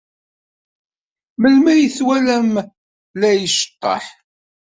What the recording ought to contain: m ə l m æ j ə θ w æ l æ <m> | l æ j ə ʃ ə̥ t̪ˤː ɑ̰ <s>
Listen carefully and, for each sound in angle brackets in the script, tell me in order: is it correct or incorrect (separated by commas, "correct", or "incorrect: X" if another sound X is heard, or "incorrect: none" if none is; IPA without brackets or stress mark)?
correct, incorrect: ħ